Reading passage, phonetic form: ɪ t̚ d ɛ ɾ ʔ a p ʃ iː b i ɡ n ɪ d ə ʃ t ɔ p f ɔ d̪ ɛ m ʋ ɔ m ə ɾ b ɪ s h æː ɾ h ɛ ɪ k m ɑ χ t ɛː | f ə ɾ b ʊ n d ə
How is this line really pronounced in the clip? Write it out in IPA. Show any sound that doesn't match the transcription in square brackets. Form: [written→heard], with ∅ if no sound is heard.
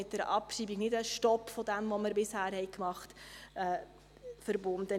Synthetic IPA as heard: ɪ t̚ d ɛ ɾ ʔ [a→ɑ] p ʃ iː b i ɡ n ɪ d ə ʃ t ɔ p f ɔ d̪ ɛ m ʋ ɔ m ə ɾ b ɪ s h æː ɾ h ɛ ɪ k m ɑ χ t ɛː | f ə ɾ b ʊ n d ə

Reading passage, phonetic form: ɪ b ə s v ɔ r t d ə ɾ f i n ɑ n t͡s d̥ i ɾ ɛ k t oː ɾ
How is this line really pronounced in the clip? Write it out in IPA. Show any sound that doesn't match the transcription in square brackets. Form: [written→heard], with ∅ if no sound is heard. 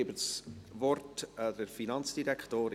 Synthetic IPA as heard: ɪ b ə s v ɔ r t d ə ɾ f i n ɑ n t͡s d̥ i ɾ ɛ k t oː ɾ

